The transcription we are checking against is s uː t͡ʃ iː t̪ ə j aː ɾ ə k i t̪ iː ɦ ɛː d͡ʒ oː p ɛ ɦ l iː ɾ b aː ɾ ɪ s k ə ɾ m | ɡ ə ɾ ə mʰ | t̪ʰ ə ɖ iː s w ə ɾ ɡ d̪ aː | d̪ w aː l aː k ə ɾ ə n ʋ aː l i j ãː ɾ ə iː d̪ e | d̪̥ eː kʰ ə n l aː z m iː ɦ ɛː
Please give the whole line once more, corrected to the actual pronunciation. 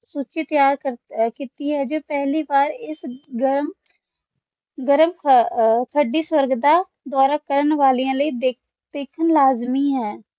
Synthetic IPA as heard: s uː t͡ʃ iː t̪ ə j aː ɾ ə k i t̪ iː ɦ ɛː d͡ʒ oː p ɛ ɦ l iː b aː ɾ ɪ s ɡ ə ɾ m | ɡ ə ɾ ə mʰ | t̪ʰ ə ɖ iː s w ə ɾ ɡ d̪ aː | d̪ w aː ɾ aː k ə ɾ ə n ʋ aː l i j ãː l ə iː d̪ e | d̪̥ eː kʰ ə n l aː z m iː ɦ ɛː